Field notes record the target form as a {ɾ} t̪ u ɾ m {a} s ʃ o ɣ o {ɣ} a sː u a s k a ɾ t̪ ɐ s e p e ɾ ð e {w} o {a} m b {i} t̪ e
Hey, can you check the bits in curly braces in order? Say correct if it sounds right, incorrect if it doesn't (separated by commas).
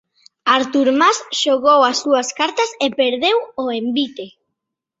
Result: correct, correct, incorrect, correct, incorrect, correct